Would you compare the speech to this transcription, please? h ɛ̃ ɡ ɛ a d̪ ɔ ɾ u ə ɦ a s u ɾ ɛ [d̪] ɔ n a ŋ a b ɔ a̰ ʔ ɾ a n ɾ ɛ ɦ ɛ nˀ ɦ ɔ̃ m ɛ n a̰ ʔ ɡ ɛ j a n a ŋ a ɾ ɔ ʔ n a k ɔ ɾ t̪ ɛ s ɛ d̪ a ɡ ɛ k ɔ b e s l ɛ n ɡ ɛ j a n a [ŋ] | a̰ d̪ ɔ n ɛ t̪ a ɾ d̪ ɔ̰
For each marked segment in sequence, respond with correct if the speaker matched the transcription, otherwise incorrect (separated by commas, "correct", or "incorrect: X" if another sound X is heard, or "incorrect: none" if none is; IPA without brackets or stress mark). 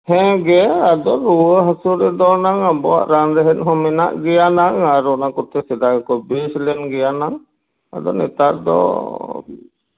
correct, correct